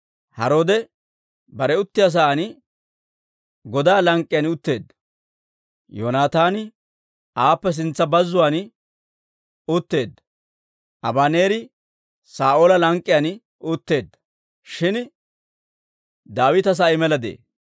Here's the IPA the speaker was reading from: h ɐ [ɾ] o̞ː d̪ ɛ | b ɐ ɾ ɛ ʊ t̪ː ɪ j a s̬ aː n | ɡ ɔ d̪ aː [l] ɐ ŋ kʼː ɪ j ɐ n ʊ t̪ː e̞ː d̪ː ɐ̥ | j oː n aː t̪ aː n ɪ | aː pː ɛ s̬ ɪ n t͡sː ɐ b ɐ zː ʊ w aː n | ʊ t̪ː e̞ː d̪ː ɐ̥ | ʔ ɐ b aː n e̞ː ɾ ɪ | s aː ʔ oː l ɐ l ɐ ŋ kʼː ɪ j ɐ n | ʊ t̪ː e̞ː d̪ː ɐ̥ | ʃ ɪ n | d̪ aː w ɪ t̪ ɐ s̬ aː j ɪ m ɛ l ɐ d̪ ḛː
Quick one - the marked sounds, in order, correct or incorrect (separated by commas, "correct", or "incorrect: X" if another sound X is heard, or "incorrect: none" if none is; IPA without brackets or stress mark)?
correct, correct